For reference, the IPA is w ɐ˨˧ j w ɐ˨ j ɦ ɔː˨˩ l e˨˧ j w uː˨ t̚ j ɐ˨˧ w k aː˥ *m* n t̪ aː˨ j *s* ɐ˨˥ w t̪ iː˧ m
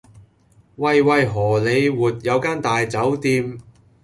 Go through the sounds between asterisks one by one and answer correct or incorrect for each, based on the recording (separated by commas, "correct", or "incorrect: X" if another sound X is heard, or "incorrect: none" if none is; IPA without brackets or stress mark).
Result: incorrect: none, incorrect: t͡s